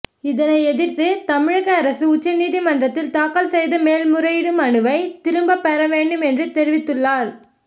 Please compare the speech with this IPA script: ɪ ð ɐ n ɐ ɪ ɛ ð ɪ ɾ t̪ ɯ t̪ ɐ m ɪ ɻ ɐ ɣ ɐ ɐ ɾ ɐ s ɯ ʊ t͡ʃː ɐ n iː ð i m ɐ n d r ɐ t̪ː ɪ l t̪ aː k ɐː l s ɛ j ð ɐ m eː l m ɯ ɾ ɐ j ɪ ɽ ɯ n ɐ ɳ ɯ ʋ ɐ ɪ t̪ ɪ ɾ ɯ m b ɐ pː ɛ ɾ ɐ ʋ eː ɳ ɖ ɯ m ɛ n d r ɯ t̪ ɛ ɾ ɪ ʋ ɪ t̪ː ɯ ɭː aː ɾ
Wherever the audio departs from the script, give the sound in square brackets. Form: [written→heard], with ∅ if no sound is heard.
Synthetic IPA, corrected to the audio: ɪ ð ɐ n ɐ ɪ ɛ ð ɪ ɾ t̪ ɯ t̪ ɐ m ɪ ɻ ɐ ɣ ɐ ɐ ɾ ɐ s ɯ ʊ t͡ʃː ɐ n iː ð i m ɐ n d r ɐ t̪ː ɪ l t̪ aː k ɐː l s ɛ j ð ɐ m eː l m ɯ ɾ ɐ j ɪ ɽ ɯ [n→m] ɐ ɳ ɯ ʋ ɐ ɪ t̪ ɪ ɾ ɯ m b ɐ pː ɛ ɾ ɐ ʋ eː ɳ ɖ ɯ m ɛ n d r ɯ t̪ ɛ ɾ ɪ ʋ ɪ t̪ː ɯ ɭː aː ɾ